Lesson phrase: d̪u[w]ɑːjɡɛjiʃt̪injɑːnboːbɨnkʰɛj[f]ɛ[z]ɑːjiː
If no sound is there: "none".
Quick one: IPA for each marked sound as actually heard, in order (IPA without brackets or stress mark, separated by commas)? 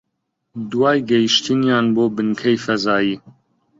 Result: w, f, z